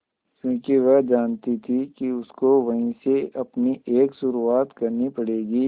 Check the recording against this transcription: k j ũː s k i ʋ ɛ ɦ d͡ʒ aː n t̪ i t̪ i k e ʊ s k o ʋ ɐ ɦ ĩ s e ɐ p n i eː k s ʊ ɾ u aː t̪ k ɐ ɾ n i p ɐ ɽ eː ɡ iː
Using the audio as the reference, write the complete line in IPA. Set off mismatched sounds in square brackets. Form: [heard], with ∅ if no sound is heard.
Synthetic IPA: k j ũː [∅] k i ʋ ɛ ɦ d͡ʒ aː n t̪ i [t̪ʰ] i k [i] ʊ s k o ʋ ɐ ɦ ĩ s e ɐ p n i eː k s ʊ ɾ u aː t̪ k ɐ ɾ n i p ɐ ɽ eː ɡ iː

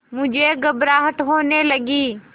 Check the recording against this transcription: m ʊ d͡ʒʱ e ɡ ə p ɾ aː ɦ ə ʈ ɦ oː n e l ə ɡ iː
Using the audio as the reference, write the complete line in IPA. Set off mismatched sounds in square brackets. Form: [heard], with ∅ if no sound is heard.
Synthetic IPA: m ʊ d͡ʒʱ e ɡ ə [b] ɾ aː ɦ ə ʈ ɦ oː n e l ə ɡ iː

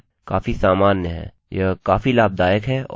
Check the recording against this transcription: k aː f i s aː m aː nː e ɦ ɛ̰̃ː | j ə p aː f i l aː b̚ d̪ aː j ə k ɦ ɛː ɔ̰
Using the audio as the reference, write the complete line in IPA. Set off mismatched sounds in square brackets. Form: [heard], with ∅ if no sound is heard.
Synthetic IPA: k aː f i s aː m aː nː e ɦ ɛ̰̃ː | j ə [k] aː f i l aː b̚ d̪ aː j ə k ɦ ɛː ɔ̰

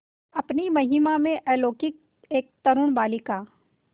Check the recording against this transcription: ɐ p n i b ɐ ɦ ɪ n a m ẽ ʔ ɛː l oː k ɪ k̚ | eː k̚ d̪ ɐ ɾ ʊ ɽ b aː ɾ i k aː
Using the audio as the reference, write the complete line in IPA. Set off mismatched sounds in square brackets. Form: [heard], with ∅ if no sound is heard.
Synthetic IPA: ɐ p n i [m] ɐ ɦ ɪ [m] a m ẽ ʔ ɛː l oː k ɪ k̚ | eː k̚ [t̪] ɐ ɾ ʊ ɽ b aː [l] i k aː

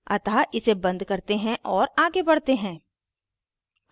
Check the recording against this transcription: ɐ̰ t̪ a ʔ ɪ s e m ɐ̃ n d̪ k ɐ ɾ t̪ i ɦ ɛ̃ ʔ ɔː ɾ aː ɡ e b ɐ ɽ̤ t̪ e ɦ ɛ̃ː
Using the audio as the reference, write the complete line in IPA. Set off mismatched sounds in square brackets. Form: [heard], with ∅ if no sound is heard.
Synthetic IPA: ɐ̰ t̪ a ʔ ɪ s e [b] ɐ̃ n d̪ k ɐ ɾ t̪ [e] ɦ ɛ̃ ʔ ɔː ɾ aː ɡ e b ɐ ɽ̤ t̪ e ɦ ɛ̃ː

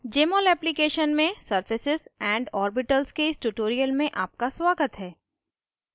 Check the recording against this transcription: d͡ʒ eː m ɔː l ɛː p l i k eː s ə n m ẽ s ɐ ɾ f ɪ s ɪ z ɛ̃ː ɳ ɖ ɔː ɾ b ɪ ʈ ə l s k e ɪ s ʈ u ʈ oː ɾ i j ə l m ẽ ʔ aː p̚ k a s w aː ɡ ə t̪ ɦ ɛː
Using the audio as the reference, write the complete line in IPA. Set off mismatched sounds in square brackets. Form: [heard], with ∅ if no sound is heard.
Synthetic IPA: d͡ʒ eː m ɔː l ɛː p l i k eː [ʃ] ə n m ẽ s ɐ ɾ f ɪ s ɪ z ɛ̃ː ɳ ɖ ɔː ɾ b ɪ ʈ ə l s k e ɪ s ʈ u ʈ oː ɾ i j ə l m ẽ ʔ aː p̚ k a s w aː ɡ ə t̪ ɦ ɛː

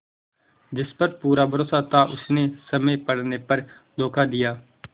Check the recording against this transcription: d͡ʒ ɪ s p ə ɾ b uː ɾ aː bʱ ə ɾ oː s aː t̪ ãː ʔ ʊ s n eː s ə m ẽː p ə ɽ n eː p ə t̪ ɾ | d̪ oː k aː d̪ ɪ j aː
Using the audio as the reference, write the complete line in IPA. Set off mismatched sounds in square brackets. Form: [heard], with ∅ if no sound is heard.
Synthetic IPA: d͡ʒ ɪ s p ə ɾ [p] uː ɾ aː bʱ ə ɾ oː s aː t̪ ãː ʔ ʊ s n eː s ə m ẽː p ə ɽ n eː p ə [∅] ɾ | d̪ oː k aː d̪ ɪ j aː

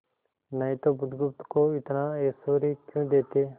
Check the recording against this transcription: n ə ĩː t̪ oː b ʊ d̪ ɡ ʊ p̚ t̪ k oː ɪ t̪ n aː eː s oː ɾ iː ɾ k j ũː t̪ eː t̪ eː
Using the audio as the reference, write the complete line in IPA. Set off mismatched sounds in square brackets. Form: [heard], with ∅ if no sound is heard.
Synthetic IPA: n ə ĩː t̪ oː b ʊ d̪ ɡ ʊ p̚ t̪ k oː ɪ t̪ n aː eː s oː ɾ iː [∅] k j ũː [d̪] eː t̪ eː

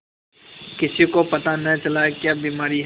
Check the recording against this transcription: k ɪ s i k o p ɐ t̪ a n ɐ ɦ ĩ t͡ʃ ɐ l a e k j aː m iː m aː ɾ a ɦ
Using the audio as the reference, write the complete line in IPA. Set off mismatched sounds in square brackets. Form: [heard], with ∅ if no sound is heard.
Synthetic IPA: k ɪ s i k o p ɐ t̪ a n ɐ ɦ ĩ t͡ʃ ɐ l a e k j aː [b] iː m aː ɾ [i] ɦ

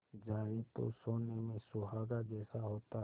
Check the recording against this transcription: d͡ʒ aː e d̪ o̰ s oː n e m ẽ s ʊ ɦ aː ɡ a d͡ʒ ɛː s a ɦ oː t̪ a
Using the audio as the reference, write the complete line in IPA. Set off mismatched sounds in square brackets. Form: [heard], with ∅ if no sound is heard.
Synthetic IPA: d͡ʒ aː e [t̪] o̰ s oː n e m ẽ s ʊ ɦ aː ɡ a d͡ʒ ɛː s a ɦ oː t̪ a

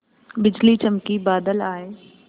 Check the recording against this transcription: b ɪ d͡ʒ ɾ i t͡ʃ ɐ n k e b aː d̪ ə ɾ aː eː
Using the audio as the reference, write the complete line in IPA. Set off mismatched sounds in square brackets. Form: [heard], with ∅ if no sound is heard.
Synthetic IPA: b ɪ d͡ʒ [l] i t͡ʃ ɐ [m] k [i] b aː d̪ ə [l] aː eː

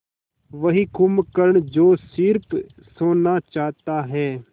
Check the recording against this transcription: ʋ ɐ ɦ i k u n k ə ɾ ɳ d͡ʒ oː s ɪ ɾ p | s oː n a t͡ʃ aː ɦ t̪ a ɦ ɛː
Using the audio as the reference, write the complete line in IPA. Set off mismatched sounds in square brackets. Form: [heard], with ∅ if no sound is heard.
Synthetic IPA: ʋ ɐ ɦ i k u [m] k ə ɾ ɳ d͡ʒ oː s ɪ ɾ p | s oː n a t͡ʃ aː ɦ t̪ a ɦ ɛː

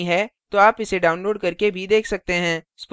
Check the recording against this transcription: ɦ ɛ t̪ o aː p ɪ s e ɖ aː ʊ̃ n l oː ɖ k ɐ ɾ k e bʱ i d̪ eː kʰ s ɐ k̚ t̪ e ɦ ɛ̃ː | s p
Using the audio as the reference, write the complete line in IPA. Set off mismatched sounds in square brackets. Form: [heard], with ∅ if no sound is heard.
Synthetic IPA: ɦ ɛ t̪ o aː p ɪ s e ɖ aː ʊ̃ n l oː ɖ k ɐ ɾ k e bʱ i d̪ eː kʰ s ɐ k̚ t̪ e ɦ ɛ̃ː | s p

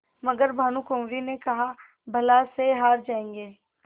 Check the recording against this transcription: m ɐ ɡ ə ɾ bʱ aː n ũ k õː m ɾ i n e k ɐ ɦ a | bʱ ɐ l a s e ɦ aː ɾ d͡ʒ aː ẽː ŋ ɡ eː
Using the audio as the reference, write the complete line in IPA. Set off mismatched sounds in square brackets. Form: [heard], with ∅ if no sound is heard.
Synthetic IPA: m ɐ ɡ ə ɾ bʱ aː n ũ k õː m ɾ i n e k ɐ ɦ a | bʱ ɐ l a s e ɦ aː ɾ d͡ʒ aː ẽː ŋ ɡ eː

